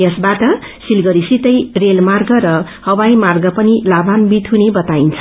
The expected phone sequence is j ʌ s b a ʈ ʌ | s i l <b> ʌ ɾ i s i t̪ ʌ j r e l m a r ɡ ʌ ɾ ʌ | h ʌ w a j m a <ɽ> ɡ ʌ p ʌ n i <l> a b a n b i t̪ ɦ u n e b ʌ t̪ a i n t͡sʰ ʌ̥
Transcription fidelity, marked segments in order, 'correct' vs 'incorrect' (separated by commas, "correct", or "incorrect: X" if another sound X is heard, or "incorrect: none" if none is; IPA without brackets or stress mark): incorrect: ɡ, incorrect: r, correct